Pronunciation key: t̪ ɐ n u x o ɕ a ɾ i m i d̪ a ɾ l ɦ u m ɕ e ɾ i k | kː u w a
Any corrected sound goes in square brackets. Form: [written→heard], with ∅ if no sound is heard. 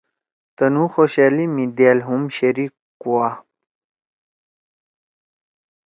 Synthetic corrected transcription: t̪ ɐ n u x o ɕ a [ɾ→l] i m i d̪ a [ɾ→∅] l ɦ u m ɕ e ɾ i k | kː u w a